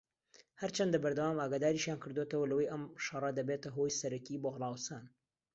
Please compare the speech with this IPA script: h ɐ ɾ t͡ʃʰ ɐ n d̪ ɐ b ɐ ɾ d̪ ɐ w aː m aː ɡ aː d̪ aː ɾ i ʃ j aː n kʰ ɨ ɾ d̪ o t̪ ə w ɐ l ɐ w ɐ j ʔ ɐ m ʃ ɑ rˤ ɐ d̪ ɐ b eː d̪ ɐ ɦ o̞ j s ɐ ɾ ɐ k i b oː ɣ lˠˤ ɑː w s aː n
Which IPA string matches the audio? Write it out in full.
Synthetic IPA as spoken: h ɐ ɾ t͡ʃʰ ɐ n d̪ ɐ b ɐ ɾ d̪ ɐ w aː m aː ɡ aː d̪ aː ɾ i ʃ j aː n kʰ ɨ ɾ d̪ o t̪ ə w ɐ l ɐ w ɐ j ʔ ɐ m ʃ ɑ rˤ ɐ d̪ ɐ b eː t̪ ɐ ɦ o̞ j s ɐ ɾ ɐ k i b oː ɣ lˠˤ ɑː w s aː n